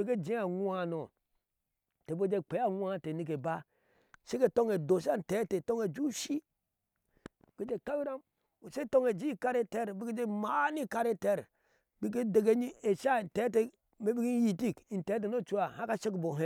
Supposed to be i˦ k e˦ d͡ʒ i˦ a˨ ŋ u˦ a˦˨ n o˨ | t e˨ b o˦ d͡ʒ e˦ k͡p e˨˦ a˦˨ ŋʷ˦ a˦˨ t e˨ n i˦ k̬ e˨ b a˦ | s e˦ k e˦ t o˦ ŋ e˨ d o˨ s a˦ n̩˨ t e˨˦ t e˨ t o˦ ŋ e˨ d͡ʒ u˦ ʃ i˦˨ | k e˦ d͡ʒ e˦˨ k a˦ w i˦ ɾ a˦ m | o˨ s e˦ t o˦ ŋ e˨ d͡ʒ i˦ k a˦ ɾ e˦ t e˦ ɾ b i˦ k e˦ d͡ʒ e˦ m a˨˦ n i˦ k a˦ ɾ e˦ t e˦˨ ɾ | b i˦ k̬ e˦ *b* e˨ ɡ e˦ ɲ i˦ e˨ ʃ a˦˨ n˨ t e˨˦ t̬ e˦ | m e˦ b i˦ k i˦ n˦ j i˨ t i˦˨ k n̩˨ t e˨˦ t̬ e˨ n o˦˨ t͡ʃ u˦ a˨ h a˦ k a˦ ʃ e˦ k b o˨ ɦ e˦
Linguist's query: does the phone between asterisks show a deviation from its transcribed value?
yes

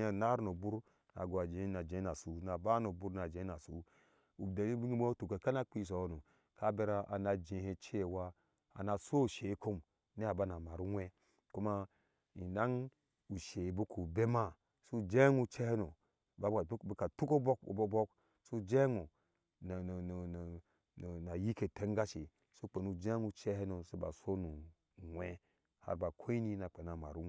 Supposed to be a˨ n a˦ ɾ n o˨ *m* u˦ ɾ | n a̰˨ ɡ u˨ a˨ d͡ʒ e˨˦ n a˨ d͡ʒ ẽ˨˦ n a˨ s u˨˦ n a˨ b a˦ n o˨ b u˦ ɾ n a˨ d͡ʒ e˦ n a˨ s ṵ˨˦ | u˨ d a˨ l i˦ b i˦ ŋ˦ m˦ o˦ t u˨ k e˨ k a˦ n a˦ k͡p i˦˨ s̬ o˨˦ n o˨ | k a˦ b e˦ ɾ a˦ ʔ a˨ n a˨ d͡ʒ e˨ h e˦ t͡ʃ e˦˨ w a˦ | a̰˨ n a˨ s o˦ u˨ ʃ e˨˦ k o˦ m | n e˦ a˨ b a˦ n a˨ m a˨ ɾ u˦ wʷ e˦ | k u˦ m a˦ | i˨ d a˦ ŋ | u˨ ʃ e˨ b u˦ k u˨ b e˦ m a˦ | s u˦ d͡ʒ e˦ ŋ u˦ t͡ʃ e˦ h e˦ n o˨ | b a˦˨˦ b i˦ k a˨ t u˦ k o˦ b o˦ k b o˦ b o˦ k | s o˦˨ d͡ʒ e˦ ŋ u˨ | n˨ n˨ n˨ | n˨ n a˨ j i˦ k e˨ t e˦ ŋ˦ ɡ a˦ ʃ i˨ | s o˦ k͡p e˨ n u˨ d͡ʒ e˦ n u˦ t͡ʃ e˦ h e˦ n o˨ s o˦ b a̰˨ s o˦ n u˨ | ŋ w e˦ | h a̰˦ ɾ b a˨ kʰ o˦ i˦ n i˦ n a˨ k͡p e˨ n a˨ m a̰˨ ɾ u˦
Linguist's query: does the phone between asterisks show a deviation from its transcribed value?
yes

